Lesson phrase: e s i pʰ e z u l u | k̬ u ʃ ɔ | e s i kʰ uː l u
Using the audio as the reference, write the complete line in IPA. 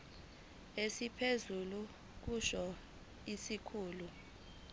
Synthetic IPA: e s i pʰ e z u l u | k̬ u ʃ ɔ | i s i kʰ uː l u